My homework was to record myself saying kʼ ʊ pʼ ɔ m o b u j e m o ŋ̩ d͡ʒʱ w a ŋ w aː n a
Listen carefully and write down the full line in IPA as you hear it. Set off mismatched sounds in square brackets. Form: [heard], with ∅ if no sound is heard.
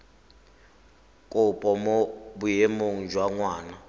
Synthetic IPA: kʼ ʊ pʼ ɔ m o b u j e m o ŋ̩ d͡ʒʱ w a ŋ w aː n a

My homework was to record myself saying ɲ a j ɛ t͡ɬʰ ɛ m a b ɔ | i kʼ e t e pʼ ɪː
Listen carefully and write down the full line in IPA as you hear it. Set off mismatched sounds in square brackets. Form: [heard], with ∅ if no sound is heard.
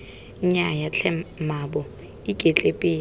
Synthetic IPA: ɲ a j [a] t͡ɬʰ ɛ m a b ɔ | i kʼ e [t͡ɬʼ] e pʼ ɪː

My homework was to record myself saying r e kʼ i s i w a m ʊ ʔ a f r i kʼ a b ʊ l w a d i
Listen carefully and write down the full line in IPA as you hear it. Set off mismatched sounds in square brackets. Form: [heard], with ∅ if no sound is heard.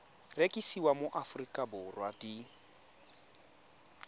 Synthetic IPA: r e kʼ i s i w a m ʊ ʔ a f r i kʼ a b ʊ [r] w a d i

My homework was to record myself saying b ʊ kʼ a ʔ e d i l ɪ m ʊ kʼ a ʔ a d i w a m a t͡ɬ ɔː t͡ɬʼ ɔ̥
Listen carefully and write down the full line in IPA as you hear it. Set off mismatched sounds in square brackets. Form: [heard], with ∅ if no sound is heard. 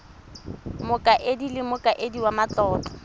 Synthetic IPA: [m] ʊ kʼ a ʔ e d i l ɪ m ʊ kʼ a ʔ [e] d i w a m a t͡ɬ ɔː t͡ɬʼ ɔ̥

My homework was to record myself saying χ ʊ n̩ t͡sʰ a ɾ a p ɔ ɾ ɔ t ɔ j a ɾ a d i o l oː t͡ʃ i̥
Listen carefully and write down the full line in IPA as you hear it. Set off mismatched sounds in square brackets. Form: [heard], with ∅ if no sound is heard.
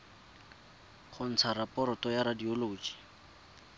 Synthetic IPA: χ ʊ n̩ t͡sʰ a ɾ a p ɔ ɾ ɔ t ɔ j a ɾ a d i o l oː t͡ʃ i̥

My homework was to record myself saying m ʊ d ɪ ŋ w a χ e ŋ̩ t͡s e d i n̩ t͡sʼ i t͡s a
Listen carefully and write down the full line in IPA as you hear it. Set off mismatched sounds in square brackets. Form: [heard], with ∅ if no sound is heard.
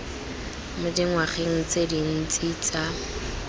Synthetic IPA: m ʊ d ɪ ŋ w a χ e ŋ̩ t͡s e d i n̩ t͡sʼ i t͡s a

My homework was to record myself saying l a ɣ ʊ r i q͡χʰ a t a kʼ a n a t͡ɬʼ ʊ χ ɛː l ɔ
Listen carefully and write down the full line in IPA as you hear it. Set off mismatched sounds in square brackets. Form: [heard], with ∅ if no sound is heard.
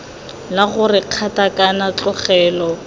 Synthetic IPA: l a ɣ ʊ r [ɪ] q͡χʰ a t a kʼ a n a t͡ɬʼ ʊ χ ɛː l ɔ

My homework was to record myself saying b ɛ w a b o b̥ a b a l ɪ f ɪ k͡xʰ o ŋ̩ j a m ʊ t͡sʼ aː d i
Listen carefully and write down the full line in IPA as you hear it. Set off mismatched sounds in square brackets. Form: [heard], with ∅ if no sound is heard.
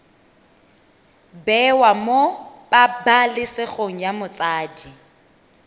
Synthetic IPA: b ɛ w a [m] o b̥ a b a l ɪ [s] ɪ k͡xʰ o ŋ̩ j a m ʊ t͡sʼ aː d i

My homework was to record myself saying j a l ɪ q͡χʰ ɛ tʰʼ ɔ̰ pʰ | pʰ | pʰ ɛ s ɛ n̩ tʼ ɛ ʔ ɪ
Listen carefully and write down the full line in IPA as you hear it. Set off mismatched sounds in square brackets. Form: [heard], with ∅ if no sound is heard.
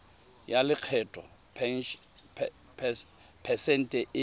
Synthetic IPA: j a l ɪ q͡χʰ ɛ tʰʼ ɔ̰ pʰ | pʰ | pʰ ɛ s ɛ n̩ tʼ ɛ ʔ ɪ

